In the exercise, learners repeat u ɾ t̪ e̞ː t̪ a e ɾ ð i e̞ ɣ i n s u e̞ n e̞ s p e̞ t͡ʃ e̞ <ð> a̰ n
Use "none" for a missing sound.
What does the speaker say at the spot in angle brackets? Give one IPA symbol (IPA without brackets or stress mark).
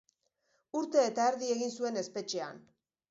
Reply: none